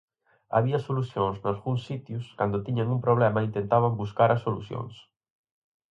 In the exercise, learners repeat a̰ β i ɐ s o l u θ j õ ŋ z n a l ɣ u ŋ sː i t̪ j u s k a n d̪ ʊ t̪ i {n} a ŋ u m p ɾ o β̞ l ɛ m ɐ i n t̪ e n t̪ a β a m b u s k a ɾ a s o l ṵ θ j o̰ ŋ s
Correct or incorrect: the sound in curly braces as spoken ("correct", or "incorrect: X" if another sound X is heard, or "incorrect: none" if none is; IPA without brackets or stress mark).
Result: incorrect: ɲ